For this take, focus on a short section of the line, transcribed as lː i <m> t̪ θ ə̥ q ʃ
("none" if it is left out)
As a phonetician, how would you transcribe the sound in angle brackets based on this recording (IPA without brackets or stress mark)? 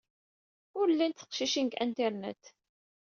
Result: n